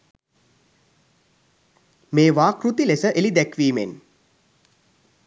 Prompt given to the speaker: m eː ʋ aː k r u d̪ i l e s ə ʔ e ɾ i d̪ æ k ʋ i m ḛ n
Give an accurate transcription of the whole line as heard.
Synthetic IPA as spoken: m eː ʋ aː k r u t̪ i l e s ə ʔ e l i d̪ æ k ʋ iː m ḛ n